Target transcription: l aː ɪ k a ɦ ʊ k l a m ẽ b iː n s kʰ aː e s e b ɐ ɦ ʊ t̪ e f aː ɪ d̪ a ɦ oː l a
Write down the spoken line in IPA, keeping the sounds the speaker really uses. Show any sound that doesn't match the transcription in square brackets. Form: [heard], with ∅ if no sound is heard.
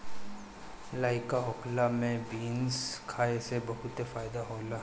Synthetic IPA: l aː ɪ k a ɦ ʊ k l a m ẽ b iː n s kʰ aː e s e b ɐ ɦ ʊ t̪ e f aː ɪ d̪ a ɦ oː l a